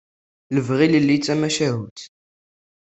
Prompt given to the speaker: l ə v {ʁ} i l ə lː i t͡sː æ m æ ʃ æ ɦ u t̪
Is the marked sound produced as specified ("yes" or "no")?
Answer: yes